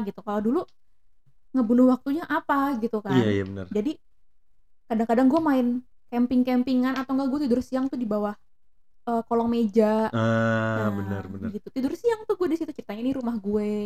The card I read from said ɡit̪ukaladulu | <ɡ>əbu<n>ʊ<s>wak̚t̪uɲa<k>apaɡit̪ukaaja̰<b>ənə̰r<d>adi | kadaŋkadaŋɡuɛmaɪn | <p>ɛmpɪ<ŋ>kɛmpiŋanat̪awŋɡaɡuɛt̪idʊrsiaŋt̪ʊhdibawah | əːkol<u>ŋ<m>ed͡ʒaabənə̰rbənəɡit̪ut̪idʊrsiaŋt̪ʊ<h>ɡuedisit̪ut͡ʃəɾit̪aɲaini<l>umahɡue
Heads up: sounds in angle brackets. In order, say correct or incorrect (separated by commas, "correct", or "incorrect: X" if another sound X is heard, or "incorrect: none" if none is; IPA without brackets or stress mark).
incorrect: ŋ, correct, incorrect: h, incorrect: ʔ, correct, incorrect: d͡ʒ, incorrect: k, correct, incorrect: ɔ, correct, correct, incorrect: ɾ